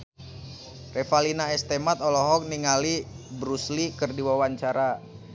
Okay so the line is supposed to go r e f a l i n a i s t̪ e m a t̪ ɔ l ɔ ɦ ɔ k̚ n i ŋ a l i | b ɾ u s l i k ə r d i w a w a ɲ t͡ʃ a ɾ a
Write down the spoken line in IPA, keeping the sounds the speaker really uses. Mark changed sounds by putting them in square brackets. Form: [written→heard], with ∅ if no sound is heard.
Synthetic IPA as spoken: r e f a l i n a [i→ɛ] s t̪ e m a t̪ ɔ l ɔ ɦ ɔ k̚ n i ŋ a l i | b ɾ u s l i k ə r d i w a w a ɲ t͡ʃ a ɾ a